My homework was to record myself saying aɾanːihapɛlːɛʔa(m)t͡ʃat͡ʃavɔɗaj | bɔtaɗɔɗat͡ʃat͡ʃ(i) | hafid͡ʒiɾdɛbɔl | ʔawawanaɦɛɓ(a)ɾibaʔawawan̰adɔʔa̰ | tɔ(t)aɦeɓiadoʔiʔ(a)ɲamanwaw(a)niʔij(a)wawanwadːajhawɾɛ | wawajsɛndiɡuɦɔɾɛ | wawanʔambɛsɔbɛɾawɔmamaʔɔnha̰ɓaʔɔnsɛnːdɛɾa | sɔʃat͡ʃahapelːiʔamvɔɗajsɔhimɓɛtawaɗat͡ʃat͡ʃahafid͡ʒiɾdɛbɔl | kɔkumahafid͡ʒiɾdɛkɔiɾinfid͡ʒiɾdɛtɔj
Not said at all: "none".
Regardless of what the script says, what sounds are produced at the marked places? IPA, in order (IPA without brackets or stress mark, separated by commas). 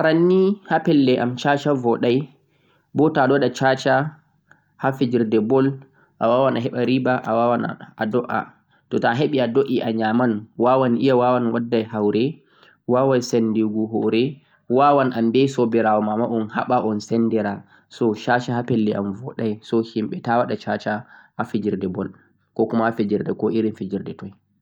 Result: m, a, a, t, a, a, a